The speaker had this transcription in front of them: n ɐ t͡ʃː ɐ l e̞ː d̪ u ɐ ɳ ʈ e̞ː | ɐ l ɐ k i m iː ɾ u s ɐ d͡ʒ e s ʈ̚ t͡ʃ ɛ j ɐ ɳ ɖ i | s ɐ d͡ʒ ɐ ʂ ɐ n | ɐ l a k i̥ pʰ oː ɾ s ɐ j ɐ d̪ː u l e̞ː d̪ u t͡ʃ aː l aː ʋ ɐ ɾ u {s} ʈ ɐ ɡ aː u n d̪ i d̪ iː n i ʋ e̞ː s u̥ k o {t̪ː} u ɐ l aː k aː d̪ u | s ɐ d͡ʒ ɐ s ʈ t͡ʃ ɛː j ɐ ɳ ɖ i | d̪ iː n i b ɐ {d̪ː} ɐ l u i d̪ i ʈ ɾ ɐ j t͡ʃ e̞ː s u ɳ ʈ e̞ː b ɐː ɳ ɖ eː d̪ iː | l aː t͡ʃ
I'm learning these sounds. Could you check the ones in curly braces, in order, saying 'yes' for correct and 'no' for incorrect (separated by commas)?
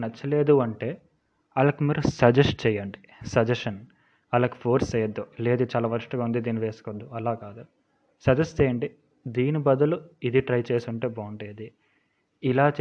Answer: no, no, no